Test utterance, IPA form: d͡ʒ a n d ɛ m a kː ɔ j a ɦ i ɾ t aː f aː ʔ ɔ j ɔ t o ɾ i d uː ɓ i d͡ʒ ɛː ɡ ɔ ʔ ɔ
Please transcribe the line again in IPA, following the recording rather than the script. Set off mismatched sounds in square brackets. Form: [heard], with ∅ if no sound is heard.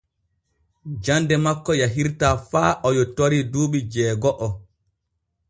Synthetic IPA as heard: d͡ʒ a n d ɛ m a kː ɔ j a ɦ i ɾ t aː f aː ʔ ɔ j ɔ t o ɾ i d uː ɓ i d͡ʒ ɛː ɡ ɔ ʔ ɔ